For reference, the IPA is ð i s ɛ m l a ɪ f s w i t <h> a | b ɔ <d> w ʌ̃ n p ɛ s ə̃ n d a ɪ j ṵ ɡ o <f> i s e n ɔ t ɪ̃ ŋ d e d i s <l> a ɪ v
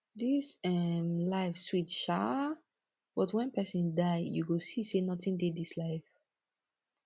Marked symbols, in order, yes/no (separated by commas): no, no, no, yes